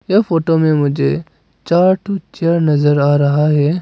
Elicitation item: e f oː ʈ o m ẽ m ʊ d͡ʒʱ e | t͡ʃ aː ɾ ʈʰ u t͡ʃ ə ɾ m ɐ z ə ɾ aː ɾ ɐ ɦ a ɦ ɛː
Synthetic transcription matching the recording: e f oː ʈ o m ẽ m ʊ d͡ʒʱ e | t͡ʃ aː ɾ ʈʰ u t͡ʃ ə ɾ n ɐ z ə ɾ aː ɾ ɐ ɦ a ɦ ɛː